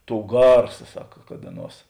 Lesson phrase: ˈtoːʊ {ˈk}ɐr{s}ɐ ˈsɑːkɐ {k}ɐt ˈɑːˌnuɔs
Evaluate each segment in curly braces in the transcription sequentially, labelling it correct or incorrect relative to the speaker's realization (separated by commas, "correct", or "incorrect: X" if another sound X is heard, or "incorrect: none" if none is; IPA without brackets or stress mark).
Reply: incorrect: ɡ, correct, correct